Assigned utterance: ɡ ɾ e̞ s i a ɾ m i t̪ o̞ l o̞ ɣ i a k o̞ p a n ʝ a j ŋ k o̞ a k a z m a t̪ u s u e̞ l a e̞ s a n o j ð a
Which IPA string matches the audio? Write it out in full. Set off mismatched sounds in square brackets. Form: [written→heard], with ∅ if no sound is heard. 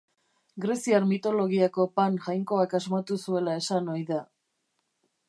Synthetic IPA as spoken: ɡ ɾ e̞ s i a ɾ m i t̪ o̞ l o̞ ɣ i a k o̞ p a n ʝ a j ŋ k o̞ a k a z m a t̪ u s u e̞ l a e̞ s a n o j ð a

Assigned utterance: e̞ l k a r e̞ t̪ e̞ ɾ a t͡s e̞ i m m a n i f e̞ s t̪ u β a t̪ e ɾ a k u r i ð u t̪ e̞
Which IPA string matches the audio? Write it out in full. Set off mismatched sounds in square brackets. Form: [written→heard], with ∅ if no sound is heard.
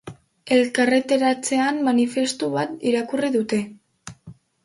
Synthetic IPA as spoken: e̞ l k a r e̞ t̪ e̞ ɾ a t͡s e̞ [i→a] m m a n i f e̞ s t̪ u β a t̪ [e→i] ɾ a k u r i ð u t̪ e̞

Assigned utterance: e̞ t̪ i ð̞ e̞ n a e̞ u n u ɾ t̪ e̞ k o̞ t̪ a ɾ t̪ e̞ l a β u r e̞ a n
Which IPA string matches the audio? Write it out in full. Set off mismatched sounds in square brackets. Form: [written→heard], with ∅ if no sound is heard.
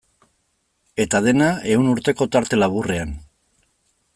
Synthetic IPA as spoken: e̞ t̪ [i→a] ð̞ e̞ n a e̞ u n u ɾ t̪ e̞ k o̞ t̪ a ɾ t̪ e̞ l a β u r e̞ a n

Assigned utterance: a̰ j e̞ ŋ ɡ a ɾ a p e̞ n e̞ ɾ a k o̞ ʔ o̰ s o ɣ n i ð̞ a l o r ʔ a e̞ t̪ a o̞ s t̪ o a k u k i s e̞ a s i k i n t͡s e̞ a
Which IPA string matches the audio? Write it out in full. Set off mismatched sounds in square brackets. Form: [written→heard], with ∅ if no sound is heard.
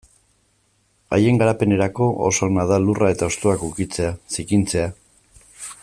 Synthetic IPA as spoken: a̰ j e̞ ŋ ɡ a ɾ a p e̞ n e̞ ɾ a k o̞ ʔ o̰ s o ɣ n [i→a] ð̞ a l [o→u] r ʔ a e̞ t̪ a o̞ s t̪ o a k u k i [s→t͡s] e̞ a s i k i n t͡s e̞ a

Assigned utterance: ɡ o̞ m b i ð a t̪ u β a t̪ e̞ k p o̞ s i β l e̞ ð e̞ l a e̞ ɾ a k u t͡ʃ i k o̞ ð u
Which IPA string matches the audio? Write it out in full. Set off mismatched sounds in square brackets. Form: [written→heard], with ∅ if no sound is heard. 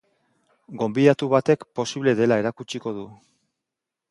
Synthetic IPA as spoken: ɡ o̞ m b i ð a t̪ u β a t̪ e̞ k p o̞ s i β l e̞ ð e̞ l a e̞ ɾ a k u t͡ʃ i k o̞ ð u

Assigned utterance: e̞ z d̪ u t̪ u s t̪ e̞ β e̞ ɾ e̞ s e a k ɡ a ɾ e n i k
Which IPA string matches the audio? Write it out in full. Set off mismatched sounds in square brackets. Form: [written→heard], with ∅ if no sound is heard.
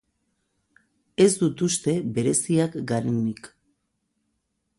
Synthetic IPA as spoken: e̞ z d̪ u t̪ u s t̪ e̞ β e̞ ɾ e̞ s [e→i] a k ɡ a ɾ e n i k

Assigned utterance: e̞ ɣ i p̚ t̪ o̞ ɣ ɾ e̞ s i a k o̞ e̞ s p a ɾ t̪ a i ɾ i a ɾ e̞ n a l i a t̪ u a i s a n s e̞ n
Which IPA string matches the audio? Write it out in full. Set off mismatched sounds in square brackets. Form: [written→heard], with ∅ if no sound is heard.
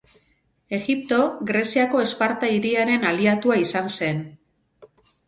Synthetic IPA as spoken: e̞ ɣ i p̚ t̪ o̞ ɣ ɾ e̞ s i a k o̞ e̞ s p a ɾ t̪ a i ɾ i a ɾ e̞ n a l i a t̪ u a i s a n s e̞ n

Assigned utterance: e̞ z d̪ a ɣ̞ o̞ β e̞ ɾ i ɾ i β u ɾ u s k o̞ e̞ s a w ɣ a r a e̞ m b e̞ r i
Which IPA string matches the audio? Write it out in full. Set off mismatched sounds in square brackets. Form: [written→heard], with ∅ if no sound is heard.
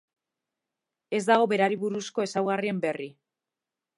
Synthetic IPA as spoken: e̞ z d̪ a ɣ̞ o̞ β e̞ ɾ [i→a] ɾ i β u ɾ u s k o̞ e̞ s a w ɣ a r [a→i] e̞ m b e̞ r i

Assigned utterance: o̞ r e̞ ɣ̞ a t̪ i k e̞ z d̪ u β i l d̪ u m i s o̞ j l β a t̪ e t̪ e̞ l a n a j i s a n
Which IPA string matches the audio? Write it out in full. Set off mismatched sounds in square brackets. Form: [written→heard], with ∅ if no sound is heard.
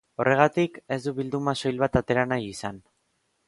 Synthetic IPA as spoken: o̞ r e̞ ɣ̞ a t̪ i k e̞ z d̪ u β i l d̪ u m [i→a] s o̞ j l β a t̪ [e→a] t̪ e̞ [l→ɾ] a n a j i s a n

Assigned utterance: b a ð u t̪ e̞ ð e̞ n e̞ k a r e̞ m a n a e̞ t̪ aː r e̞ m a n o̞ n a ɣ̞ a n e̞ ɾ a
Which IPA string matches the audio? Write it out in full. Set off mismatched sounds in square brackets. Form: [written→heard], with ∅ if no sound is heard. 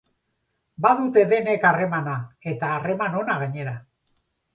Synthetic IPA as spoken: b a ð u t̪ e̞ ð e̞ n e̞ k a r e̞ m a n a e̞ t̪ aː r e̞ m a n o̞ n a ɣ̞ a [n→ɲ] e̞ ɾ a

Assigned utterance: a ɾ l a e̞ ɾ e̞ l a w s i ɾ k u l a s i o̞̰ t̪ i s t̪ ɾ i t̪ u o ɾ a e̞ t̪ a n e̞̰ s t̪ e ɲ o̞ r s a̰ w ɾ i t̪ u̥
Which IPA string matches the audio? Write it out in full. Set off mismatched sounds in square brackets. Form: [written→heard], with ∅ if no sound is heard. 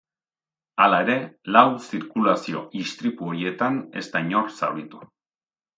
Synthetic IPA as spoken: a [ɾ→∅] l a e̞ ɾ e̞ l a w s i ɾ k u l a s i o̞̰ [t̪→∅] i s t̪ ɾ i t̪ u o ɾ [a→i] e̞ t̪ a n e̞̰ s t̪ [e→a] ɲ o̞ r s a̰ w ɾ i t̪ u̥

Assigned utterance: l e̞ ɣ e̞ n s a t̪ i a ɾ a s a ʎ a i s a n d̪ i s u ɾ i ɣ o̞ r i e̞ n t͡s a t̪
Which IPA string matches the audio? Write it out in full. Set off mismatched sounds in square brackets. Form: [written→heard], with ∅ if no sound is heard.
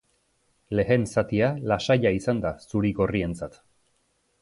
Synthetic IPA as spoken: l e̞ ɣ e̞ n s a t̪ i a [ɾ→l] a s a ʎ a i s a n d̪ [i→a] s u ɾ i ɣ o̞ r i e̞ n t͡s a t̪

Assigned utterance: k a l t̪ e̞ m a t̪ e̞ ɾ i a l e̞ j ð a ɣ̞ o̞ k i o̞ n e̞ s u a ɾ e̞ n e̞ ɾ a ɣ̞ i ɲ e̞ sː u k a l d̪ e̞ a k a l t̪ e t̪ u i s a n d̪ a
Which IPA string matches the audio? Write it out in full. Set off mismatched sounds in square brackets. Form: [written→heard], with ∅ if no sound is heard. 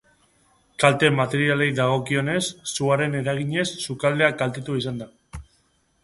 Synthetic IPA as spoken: k a l t̪ e̞ m a t̪ e̞ ɾ i a l e̞ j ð a ɣ̞ o̞ k i o̞ n e̞ [s→sː] u a ɾ e̞ n e̞ ɾ a ɣ̞ i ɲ e̞ sː u k a l d̪ e̞ a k a l t̪ e t̪ u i s a n d̪ a

